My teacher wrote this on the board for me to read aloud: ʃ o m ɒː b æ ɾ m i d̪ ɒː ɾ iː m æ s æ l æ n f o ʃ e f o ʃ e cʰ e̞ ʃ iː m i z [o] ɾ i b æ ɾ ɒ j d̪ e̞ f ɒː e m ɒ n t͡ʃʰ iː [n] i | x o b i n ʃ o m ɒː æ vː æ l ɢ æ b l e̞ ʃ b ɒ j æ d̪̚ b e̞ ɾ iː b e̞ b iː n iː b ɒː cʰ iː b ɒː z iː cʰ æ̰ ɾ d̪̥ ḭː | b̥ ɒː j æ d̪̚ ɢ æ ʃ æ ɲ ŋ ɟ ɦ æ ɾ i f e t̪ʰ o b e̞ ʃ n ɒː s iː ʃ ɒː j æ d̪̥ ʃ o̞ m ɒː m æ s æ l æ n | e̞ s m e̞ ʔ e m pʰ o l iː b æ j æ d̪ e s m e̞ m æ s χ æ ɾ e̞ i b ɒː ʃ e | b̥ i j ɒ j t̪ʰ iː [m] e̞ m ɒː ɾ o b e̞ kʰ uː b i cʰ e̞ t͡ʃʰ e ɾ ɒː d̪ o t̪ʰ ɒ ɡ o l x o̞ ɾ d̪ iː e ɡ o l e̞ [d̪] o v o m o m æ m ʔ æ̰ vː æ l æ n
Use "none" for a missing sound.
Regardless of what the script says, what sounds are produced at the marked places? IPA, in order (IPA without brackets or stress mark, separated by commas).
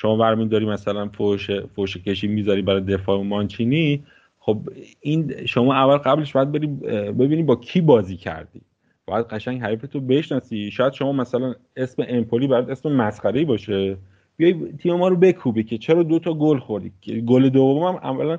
ɒ, n, m, d̪